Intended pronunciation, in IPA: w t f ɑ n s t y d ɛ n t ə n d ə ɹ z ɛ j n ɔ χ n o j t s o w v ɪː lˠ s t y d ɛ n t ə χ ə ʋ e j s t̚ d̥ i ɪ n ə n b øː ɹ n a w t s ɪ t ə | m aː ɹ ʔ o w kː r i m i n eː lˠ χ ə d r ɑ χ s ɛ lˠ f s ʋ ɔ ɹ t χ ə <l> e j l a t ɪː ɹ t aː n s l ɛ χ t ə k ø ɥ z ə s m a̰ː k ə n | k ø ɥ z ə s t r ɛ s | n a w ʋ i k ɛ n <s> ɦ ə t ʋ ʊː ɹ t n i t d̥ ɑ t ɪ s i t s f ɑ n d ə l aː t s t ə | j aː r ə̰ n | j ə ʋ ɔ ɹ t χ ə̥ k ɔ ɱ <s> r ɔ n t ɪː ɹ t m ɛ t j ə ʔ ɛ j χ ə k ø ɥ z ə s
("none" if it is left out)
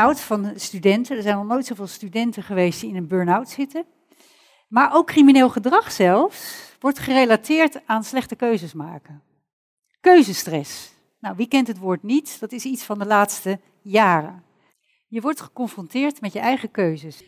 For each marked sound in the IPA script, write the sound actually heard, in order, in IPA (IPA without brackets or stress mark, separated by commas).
r, t, f